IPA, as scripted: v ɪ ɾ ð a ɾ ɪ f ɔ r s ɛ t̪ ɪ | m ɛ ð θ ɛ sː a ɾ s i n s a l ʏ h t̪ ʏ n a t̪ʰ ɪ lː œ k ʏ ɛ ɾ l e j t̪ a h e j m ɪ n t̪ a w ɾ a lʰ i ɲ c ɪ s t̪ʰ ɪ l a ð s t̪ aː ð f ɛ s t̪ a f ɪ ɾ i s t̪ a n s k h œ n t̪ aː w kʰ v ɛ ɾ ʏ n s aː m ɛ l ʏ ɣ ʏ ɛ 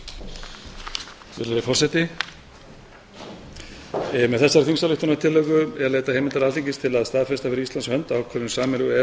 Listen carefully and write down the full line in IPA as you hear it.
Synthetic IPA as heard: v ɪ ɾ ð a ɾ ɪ f ɔ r s ɛ t̪ ɪ | m ɛ ð θ ɛ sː a ɾ θ i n s a l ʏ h t̪ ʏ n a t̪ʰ ɪ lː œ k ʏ ɛ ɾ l e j t̪ a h e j m ɪ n t̪ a ɾ a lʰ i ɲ c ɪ s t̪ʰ ɪ l a ð s t̪ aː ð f ɛ s t̪ a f ɪ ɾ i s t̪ a n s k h œ n t̪ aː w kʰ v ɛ ɾ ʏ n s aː m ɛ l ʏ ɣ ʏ ɛ